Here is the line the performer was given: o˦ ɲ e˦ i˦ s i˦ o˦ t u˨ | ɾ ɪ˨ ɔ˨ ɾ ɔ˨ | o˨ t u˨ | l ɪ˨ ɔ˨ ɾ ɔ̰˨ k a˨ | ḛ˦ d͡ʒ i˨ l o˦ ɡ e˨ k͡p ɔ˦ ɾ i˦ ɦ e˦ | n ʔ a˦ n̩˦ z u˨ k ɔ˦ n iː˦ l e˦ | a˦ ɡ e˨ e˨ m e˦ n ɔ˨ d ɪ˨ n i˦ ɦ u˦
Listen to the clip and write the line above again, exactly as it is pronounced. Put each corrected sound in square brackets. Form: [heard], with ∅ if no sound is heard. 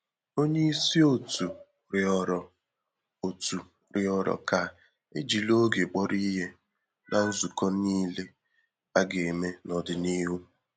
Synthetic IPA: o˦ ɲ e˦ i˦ s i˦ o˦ t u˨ | ɾ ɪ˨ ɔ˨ ɾ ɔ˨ | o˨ t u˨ | [ɾ] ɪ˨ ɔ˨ ɾ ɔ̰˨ k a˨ | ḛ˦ d͡ʒ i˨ l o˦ ɡ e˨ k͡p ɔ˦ ɾ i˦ ɦ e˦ | n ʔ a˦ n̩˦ z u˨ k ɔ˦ n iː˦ l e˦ | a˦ ɡ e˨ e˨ m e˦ n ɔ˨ d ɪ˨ n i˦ ɦ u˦